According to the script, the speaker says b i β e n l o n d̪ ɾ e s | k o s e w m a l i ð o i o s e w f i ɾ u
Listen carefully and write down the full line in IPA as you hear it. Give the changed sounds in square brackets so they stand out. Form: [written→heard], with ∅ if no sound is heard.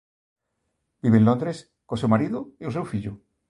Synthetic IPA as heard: b i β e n l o n d̪ ɾ e s | k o s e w m a [l→ɾ] i ð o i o s e w f i [ɾ→ʎ] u